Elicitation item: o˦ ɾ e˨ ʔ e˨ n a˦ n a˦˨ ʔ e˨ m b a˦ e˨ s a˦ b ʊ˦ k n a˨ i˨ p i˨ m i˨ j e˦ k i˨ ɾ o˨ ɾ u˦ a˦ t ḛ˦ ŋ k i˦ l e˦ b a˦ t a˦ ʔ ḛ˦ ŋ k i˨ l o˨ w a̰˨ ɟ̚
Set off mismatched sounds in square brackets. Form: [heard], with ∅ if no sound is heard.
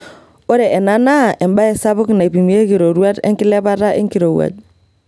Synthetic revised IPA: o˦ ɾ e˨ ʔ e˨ n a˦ n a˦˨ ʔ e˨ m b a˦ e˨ s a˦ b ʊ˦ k n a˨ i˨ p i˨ m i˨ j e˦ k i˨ ɾ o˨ ɾ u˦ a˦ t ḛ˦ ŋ k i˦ l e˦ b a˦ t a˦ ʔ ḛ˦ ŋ k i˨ [ɾ] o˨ w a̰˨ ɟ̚

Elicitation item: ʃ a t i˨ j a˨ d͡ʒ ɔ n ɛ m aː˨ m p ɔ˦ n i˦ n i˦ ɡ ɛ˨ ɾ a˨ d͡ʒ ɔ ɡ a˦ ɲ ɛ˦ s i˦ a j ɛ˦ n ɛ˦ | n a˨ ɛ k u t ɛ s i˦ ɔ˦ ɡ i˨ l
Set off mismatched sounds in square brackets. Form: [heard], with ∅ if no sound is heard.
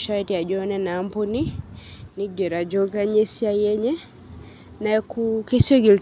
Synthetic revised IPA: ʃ a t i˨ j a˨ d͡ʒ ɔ n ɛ [n] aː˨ m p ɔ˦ n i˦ n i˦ ɡ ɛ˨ ɾ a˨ d͡ʒ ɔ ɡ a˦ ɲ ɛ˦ s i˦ a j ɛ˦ [ɲ] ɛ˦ | n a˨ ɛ k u [k] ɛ s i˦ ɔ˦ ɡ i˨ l

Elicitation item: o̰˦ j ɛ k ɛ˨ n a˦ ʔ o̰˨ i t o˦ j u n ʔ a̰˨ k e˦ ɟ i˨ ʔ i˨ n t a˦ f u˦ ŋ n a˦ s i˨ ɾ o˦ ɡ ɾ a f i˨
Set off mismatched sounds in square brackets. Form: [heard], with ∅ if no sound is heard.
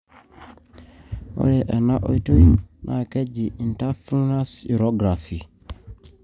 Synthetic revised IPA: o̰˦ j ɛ [ʔ] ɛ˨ n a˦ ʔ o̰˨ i t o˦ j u n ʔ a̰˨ k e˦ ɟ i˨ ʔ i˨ n t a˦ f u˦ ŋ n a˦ s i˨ ɾ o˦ ɡ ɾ a f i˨

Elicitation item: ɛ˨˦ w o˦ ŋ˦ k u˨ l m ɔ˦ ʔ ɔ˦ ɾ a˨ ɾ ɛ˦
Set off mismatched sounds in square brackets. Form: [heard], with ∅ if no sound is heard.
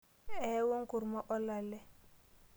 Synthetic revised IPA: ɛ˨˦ w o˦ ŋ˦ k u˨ [ɾ] m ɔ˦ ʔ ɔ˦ [l] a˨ [l] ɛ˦

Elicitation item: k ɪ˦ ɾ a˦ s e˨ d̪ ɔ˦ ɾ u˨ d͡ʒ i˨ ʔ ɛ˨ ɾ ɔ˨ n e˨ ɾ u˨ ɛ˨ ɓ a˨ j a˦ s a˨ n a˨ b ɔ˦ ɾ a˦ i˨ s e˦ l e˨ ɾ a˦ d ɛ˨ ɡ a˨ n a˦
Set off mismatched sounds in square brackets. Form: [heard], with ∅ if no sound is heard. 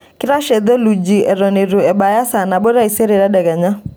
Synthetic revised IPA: k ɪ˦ ɾ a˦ [ʃ] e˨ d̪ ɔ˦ [l] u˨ d͡ʒ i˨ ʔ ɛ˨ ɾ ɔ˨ n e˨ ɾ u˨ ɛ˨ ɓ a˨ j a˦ s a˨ n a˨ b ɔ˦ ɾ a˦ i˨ s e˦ [ɾ] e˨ ɾ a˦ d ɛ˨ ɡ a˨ [ɲ] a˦

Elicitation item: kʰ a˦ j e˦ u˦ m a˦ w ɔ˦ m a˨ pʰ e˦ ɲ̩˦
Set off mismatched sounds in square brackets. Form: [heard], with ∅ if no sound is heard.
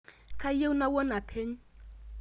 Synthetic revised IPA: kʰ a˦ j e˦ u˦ [n] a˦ w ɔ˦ [n] a˨ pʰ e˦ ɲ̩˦

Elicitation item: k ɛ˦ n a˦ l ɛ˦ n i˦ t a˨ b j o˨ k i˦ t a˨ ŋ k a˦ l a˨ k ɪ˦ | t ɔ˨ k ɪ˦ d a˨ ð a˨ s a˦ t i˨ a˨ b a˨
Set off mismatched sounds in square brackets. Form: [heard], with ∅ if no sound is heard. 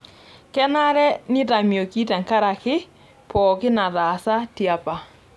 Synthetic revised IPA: k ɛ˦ n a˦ [ɾ] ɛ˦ n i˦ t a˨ [m] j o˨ k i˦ t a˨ ŋ k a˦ [ɾ] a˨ k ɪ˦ | [p] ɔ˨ k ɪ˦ [n] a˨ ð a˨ s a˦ t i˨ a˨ [p] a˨

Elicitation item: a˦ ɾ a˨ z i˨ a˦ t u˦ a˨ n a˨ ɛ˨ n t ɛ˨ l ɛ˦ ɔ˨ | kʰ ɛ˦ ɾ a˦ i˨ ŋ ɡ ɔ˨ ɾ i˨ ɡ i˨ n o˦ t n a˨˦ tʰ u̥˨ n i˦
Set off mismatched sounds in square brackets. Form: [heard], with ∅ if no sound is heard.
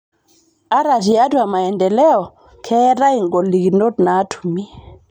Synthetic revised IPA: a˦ ɾ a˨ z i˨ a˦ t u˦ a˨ [m] a˨ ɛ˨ n [d] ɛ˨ l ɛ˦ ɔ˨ | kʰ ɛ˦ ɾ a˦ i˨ ŋ ɡ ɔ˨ [l] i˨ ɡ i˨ n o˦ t n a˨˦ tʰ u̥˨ [m] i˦

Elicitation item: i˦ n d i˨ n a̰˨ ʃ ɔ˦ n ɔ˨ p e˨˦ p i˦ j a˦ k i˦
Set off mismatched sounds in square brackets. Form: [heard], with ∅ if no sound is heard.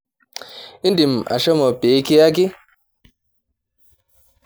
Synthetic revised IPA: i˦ n d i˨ [m] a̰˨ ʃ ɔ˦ [m] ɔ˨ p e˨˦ [k] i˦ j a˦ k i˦

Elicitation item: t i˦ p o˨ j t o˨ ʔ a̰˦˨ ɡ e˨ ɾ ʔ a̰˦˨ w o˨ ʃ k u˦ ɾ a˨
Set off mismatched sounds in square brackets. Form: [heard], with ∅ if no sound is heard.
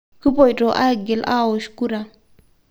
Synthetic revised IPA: [k] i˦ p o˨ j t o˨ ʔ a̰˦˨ ɡ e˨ [l] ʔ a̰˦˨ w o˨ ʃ k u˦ ɾ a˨

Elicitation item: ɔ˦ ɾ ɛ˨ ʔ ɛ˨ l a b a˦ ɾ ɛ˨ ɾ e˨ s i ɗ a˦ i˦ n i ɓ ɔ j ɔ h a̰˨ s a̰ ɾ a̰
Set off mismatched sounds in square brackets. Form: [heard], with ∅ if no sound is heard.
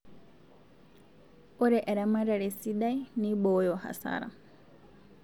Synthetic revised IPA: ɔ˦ ɾ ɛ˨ ʔ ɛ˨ [ɾ] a [m] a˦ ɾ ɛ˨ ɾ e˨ s i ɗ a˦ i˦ n i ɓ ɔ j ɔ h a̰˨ s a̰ ɾ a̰

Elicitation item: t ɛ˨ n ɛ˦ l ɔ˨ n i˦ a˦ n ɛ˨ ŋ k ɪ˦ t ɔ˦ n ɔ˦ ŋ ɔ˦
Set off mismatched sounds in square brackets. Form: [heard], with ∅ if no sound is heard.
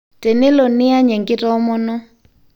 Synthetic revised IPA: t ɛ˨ n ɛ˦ l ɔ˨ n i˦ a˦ [ɲ] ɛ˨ ŋ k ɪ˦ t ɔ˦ [m] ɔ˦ [n] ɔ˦

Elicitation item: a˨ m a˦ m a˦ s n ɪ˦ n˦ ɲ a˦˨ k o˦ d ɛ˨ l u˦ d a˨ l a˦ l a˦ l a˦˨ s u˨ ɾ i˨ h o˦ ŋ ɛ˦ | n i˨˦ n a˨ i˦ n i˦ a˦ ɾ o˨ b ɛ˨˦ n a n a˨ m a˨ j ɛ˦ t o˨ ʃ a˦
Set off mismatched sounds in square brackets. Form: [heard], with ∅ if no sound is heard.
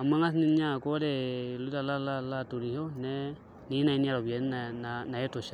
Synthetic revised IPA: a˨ m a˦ [ŋ] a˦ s n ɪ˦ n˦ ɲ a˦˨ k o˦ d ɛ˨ l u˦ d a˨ l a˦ l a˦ l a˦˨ [t] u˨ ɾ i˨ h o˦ [n] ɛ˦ | n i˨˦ n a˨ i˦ n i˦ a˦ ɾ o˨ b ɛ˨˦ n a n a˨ [n] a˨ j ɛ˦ t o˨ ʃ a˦

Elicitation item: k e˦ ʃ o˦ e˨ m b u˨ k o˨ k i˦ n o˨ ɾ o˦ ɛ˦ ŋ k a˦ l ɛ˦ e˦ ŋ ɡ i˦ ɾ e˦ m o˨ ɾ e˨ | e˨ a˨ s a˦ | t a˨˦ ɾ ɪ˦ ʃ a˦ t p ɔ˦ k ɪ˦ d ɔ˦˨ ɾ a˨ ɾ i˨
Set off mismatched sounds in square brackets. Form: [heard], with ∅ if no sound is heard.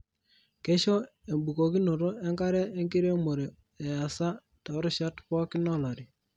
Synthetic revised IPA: k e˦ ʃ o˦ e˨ m b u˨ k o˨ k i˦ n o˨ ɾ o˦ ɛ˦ ŋ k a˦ [ɾ] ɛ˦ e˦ ŋ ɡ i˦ ɾ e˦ m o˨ ɾ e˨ | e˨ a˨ s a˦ | t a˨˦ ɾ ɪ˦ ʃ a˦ t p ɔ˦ k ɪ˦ [n] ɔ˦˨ [l] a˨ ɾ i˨

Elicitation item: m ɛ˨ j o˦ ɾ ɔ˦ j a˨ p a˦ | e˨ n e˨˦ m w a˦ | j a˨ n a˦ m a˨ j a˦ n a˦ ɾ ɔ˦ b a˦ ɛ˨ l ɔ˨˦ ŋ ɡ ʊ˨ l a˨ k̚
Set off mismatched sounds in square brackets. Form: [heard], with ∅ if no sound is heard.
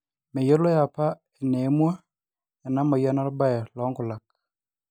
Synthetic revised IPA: m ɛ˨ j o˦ [l] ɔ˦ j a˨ p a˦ | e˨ n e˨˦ m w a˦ | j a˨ n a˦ m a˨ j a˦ n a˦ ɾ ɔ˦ b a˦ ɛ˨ l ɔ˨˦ ŋ ɡ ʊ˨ l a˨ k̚

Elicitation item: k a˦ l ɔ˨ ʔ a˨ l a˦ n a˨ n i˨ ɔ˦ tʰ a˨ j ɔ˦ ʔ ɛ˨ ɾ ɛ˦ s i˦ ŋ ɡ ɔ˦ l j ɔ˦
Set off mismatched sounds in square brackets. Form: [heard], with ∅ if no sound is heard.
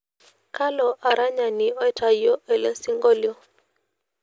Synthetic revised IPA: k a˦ l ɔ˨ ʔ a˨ [ɾ] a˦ [ɲ] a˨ n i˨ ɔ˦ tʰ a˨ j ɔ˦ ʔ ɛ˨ [l] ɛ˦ s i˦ ŋ ɡ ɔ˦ l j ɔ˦

